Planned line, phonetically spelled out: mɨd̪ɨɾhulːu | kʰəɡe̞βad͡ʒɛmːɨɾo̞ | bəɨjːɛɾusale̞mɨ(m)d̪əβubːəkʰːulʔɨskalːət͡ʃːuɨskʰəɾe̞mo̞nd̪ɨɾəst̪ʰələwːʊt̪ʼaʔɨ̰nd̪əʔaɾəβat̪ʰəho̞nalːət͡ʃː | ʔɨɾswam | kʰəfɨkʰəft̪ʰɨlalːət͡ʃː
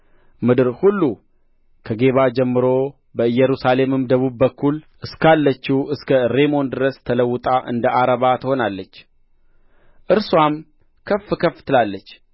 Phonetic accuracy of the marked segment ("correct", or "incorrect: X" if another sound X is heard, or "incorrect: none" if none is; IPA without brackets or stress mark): correct